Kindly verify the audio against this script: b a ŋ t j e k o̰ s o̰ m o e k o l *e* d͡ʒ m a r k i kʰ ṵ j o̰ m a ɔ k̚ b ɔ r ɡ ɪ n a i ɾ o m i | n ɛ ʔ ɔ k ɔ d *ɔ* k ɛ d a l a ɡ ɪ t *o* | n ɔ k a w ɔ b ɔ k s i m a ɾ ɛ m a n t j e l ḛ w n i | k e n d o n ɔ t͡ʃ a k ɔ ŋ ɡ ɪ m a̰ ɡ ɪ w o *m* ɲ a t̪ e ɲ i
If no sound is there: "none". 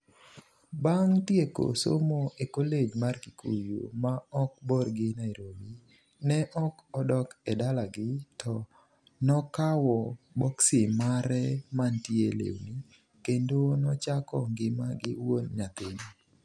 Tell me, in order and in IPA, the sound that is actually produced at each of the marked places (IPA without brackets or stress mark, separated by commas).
e, ɔ, ɔ, n